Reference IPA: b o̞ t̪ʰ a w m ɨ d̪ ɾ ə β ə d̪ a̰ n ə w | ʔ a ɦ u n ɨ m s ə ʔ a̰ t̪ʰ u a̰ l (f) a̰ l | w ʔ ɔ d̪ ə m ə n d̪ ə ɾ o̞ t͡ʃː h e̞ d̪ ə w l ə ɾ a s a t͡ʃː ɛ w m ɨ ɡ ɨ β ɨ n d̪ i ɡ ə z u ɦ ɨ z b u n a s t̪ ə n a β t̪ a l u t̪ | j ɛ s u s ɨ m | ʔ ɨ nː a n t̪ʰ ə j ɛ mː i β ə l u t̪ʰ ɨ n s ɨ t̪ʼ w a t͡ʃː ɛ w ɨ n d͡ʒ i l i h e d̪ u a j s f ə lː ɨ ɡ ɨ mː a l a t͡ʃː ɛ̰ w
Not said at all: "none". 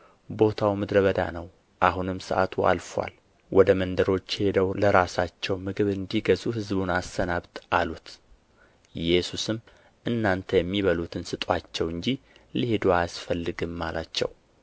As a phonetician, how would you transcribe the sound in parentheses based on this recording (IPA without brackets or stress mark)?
f